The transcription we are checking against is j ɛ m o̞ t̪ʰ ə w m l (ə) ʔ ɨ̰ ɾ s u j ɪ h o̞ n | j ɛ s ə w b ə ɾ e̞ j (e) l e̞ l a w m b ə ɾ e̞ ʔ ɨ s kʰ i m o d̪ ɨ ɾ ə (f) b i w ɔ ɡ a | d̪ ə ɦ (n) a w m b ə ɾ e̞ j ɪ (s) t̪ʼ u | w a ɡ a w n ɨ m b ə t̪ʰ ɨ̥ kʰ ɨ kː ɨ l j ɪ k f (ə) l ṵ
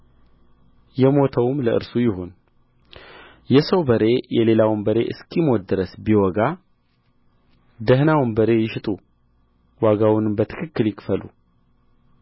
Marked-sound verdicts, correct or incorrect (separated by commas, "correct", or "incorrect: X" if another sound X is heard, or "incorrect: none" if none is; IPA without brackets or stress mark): correct, incorrect: ɛ, incorrect: s, correct, incorrect: ʃ, correct